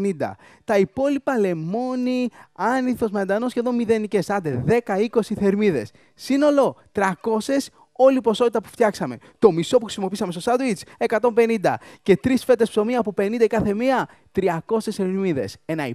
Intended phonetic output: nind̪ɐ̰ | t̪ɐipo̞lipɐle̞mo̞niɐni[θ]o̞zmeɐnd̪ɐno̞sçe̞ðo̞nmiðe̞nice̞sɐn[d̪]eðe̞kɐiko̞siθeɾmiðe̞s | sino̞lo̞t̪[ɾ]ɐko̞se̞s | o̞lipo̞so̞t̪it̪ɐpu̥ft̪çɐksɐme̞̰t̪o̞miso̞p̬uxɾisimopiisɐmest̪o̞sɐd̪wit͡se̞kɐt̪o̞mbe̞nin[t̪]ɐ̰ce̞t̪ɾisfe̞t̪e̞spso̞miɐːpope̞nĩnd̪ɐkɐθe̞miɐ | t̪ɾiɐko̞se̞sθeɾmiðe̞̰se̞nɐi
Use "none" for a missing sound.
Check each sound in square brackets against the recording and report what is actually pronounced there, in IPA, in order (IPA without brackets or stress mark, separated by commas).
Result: θ, d̪, ɾ, d̪